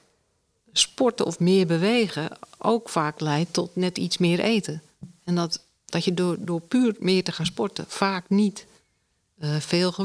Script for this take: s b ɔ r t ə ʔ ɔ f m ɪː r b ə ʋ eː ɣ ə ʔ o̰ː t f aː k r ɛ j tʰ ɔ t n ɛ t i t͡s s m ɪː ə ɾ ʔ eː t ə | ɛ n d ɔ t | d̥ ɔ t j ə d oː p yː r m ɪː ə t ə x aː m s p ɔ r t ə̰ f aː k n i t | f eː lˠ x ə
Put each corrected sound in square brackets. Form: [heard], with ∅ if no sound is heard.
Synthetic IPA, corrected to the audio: s [p] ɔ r t ə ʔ ɔ f m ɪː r b ə ʋ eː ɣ ə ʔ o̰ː [k] f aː k [l] ɛ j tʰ ɔ t n ɛ t i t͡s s m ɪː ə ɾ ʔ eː t ə | ɛ n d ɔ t | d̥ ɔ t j ə d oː p yː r m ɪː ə t ə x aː [n] s p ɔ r t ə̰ f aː k n i t | f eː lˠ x ə